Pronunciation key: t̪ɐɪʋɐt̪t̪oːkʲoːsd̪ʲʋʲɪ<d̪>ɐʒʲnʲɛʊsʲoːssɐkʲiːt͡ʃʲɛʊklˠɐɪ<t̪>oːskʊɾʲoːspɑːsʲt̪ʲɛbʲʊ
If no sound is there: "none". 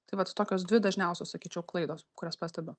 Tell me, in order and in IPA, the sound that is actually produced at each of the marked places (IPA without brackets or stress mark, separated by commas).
d̪, d̪